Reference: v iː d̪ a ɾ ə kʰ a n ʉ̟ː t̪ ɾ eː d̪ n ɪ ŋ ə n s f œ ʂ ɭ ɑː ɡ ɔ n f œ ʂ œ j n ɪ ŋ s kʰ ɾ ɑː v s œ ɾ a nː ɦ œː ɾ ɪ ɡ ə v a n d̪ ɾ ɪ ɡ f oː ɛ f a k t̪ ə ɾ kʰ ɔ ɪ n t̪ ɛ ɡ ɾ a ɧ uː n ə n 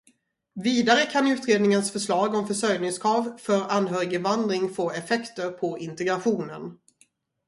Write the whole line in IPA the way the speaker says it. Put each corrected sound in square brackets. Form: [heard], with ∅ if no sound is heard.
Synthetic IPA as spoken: v iː d̪ a ɾ ə kʰ a n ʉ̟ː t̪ ɾ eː d̪ n ɪ ŋ ə n s f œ ʂ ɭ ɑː ɡ ɔ [m] f œ ʂ œ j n ɪ ŋ s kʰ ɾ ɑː v [f] œ ɾ a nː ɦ œː ɾ ɪ ɡ ə v a n d̪ ɾ ɪ [ŋ] f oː ɛ f [ɛ] k t̪ ə ɾ [pʰ] ɔ ɪ n t̪ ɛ ɡ ɾ a ɧ uː n ə n